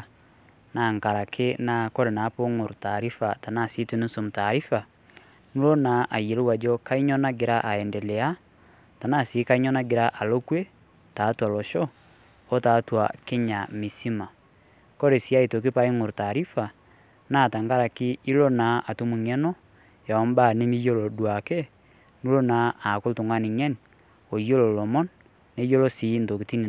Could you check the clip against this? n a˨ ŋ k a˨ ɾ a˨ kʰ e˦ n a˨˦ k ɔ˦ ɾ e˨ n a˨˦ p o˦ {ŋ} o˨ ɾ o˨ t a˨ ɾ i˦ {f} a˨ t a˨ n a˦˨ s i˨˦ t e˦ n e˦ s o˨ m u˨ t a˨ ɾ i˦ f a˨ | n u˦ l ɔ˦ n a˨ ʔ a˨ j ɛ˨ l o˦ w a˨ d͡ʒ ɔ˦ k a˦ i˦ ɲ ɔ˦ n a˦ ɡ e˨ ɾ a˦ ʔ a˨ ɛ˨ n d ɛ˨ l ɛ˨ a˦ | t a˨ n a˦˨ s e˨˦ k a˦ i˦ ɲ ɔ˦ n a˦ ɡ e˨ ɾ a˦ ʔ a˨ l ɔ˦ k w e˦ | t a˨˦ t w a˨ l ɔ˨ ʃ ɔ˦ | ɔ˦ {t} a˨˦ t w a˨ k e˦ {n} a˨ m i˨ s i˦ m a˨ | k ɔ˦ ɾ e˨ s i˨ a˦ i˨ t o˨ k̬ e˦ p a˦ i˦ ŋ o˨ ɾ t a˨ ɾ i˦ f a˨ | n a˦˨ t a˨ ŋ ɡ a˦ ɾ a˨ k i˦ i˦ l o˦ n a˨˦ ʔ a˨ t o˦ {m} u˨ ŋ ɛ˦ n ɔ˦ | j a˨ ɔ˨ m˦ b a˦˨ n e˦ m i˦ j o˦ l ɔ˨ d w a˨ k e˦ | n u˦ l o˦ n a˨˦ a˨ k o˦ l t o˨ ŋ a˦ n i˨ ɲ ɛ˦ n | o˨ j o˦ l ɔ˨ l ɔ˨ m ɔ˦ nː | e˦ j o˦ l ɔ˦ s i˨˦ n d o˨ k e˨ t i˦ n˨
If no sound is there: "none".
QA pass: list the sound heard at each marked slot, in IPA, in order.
ŋ, f, t, ɲ, m

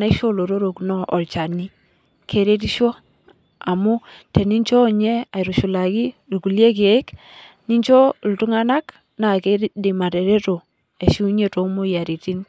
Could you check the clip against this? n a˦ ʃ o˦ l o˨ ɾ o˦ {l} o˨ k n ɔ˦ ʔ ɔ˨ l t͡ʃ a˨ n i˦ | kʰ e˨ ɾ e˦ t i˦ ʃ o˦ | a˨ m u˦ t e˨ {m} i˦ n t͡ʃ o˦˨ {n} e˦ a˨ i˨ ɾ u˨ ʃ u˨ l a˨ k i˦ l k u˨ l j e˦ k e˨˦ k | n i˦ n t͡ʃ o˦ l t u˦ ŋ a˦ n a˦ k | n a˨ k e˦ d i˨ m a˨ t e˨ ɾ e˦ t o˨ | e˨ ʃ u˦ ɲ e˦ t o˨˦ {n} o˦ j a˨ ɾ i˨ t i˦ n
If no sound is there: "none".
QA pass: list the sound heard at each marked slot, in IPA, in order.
ɾ, n, ɲ, m

